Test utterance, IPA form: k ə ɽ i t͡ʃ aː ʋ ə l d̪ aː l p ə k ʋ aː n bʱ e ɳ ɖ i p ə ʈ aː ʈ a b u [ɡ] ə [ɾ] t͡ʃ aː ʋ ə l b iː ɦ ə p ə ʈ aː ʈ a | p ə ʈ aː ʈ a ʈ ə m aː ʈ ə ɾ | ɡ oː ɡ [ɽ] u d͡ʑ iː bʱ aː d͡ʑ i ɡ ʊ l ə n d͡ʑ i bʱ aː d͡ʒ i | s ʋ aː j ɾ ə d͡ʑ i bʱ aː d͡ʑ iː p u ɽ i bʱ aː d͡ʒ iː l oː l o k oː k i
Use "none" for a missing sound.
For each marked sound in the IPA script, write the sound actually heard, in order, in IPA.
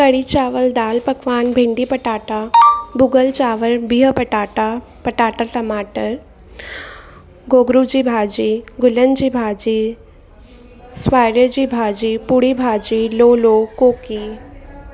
ɡ, l, ɾ

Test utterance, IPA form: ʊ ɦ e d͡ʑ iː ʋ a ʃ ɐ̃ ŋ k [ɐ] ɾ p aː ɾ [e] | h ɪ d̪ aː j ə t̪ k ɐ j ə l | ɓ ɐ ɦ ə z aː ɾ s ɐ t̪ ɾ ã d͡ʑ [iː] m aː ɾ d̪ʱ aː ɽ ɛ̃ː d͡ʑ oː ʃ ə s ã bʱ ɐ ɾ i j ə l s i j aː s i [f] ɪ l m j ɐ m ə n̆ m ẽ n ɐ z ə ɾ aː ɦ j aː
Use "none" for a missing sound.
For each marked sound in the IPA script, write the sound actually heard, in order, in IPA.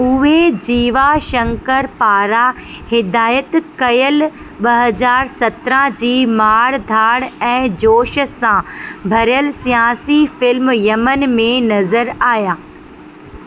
ə, a, iː, f

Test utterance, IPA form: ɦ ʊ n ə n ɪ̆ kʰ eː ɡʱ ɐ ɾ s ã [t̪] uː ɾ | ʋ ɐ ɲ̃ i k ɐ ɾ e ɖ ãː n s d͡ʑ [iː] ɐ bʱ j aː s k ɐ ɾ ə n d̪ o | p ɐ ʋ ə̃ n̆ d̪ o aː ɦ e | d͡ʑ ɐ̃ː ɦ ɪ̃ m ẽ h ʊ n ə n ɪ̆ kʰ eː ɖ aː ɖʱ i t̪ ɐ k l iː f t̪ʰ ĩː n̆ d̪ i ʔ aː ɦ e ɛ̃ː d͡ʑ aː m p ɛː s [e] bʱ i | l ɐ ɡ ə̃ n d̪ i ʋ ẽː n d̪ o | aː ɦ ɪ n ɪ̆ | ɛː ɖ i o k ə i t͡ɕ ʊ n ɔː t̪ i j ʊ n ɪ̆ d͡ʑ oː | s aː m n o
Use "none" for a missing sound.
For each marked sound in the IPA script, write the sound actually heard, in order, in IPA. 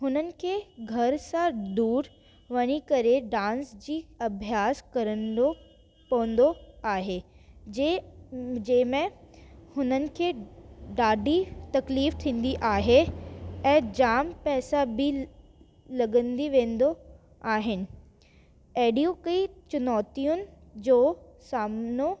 d̪, iː, a

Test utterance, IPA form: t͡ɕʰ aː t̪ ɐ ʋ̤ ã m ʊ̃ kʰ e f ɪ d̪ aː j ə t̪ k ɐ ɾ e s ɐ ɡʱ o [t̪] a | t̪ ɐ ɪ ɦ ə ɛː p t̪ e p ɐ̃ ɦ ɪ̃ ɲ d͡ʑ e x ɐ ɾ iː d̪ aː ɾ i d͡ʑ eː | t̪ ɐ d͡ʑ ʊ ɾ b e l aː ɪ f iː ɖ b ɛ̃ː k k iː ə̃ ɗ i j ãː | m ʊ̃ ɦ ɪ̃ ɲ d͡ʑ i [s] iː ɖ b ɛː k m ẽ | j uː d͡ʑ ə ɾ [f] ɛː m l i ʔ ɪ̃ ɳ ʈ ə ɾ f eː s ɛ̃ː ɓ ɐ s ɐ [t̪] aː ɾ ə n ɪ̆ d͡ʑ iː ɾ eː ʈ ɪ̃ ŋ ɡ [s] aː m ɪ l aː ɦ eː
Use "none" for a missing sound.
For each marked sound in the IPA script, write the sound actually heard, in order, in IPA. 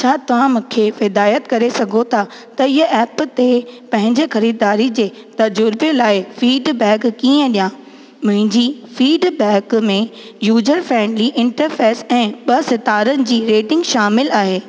t̪ʰ, f, f, t̪, ʃ

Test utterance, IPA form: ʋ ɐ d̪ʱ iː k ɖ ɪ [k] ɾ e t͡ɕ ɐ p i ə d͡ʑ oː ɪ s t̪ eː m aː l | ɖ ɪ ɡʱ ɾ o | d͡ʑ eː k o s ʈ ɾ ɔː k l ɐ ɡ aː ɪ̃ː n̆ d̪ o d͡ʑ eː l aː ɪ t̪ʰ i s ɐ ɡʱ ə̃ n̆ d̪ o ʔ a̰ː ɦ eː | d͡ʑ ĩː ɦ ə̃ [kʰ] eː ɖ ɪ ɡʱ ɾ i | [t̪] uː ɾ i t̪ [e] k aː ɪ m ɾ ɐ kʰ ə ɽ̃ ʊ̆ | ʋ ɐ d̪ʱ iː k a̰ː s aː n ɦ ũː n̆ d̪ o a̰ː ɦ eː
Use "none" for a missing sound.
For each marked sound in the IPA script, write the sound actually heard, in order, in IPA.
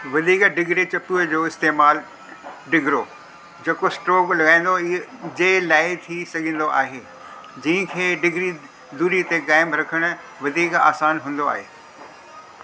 ɡ, kʰ, d̪, e

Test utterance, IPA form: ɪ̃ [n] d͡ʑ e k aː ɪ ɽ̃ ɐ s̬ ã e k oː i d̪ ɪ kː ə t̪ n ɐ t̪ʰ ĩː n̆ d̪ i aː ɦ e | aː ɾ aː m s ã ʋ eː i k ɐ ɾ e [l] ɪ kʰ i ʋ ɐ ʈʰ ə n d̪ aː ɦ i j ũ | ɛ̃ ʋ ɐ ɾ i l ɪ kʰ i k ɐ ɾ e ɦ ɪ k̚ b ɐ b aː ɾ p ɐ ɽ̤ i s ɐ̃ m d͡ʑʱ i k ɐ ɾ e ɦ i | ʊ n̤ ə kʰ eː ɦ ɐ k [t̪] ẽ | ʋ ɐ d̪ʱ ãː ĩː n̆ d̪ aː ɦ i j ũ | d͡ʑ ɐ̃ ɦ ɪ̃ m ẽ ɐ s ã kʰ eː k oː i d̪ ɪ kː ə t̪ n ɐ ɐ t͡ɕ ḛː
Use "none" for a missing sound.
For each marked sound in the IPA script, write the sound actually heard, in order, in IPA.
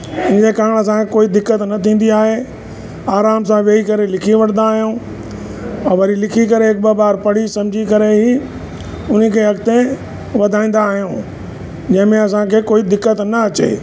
n, l, t̪

